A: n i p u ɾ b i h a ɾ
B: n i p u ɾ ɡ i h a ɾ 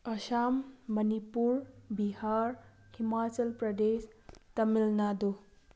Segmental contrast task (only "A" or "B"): A